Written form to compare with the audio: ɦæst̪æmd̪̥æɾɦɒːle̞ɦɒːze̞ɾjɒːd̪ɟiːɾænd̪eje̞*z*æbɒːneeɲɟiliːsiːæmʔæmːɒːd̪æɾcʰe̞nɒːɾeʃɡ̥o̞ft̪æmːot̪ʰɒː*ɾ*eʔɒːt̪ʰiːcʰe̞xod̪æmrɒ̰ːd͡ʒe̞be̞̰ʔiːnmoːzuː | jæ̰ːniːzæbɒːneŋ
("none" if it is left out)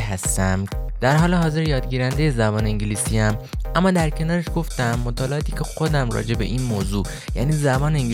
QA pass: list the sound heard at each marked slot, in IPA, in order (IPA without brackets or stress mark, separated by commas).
z, l